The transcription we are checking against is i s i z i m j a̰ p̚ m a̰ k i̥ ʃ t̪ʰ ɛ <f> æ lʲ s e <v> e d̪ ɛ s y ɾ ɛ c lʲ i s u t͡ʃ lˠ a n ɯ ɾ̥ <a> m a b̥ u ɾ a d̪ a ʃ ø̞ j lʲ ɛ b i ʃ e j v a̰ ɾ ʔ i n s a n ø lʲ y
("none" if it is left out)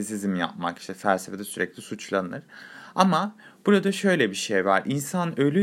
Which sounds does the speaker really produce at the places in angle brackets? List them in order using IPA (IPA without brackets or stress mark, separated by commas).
f, f, a